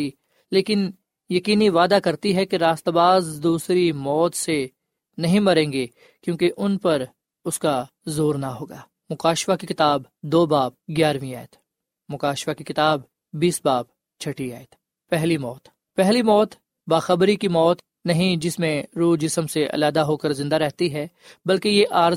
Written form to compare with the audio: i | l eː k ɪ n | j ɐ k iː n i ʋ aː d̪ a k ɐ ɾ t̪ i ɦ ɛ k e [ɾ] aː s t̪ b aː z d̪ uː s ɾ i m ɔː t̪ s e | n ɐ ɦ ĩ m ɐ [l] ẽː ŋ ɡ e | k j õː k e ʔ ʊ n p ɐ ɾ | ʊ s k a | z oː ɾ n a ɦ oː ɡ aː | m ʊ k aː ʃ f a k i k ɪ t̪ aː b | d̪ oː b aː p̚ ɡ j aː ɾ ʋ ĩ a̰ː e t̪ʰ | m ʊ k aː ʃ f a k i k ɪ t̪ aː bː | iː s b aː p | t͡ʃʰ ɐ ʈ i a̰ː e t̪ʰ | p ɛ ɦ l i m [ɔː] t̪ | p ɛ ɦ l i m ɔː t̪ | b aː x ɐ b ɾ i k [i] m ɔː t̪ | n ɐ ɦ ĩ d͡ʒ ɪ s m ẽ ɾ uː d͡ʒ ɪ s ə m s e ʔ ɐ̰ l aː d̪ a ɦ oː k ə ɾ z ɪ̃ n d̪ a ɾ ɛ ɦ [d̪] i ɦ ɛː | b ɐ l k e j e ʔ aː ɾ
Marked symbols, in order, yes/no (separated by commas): yes, no, yes, yes, no